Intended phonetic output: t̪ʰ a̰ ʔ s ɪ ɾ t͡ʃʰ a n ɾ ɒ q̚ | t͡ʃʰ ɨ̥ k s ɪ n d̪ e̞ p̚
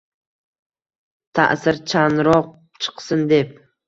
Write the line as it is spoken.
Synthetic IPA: t̪ʰ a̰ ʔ s ɪ ɾ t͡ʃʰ a n ɾ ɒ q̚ | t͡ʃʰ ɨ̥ q s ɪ n d̪ e̞ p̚